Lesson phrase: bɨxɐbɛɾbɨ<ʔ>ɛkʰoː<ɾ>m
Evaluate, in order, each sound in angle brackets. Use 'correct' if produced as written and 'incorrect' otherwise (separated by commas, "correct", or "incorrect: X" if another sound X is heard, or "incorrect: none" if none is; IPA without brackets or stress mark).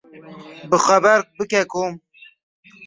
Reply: incorrect: k, incorrect: none